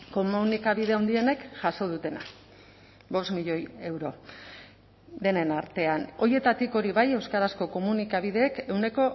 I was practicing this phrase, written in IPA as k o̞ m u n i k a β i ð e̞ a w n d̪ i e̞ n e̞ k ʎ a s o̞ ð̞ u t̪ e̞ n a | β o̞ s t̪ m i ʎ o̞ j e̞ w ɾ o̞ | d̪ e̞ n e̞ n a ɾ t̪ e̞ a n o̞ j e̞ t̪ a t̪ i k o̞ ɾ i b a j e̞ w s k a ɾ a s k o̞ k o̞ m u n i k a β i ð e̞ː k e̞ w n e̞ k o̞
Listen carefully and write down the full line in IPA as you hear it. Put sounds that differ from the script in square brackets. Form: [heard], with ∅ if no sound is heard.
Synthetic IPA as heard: k o̞ m u n i k a β i ð e̞ a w n d̪ i e̞ n e̞ k [ʝ] a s o̞ ð̞ u t̪ e̞ n a | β o̞ s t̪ m i ʎ o̞ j e̞ w ɾ o̞ | d̪ e̞ n e̞ n a ɾ t̪ e̞ a n o̞ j e̞ t̪ a t̪ i k o̞ ɾ i [β] a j e̞ w s k a ɾ a s k o̞ k o̞ m u n i k a β i ð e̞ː k e̞ w n e̞ k o̞